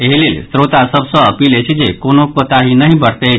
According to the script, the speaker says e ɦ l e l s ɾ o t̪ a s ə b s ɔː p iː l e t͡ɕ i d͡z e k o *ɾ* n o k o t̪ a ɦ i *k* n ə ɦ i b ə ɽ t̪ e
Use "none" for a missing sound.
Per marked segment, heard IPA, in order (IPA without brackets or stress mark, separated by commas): none, none